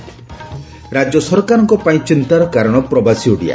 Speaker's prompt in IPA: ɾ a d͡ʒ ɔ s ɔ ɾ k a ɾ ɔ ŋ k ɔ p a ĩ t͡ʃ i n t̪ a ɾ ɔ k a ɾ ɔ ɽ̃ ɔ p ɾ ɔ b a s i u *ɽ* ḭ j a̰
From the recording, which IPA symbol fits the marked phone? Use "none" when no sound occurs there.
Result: ɽ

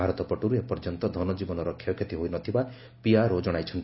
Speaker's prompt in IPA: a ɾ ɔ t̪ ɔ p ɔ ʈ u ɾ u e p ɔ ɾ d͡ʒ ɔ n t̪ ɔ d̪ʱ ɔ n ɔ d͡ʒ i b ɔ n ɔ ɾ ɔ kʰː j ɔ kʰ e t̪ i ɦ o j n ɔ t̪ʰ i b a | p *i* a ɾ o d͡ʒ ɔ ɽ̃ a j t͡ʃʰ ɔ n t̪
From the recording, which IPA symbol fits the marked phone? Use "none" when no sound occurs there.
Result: i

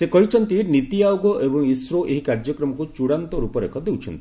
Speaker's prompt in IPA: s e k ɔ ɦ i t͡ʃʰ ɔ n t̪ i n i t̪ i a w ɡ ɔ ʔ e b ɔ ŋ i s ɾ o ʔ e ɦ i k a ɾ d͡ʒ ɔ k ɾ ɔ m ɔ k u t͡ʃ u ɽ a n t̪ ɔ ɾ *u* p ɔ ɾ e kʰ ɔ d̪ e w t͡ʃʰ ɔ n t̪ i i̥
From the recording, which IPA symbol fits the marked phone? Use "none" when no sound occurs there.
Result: u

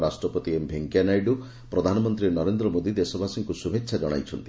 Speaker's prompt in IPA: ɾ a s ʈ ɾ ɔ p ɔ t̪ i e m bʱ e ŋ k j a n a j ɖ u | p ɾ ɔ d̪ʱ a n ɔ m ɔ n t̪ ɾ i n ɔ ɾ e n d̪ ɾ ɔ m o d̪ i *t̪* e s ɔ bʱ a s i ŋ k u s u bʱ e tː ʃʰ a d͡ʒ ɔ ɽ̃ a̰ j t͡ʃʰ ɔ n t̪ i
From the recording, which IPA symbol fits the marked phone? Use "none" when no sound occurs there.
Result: d̪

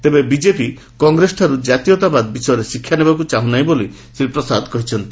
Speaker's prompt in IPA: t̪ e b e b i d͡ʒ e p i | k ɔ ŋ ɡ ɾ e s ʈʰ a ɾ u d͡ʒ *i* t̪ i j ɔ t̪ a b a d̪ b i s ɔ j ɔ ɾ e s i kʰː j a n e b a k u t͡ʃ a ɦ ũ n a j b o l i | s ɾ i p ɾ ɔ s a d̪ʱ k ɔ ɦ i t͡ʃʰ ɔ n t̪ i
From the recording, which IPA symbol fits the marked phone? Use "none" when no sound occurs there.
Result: a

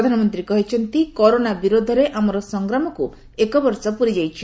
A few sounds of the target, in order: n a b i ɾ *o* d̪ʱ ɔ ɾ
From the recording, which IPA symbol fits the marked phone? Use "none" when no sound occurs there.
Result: o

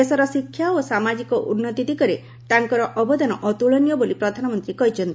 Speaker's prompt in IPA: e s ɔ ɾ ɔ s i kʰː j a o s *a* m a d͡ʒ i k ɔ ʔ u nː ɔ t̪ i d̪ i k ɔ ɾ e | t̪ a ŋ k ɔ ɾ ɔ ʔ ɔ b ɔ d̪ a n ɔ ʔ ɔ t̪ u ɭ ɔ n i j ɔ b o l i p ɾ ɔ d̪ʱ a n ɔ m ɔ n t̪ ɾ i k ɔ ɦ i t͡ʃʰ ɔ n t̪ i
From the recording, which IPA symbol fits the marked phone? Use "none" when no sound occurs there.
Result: a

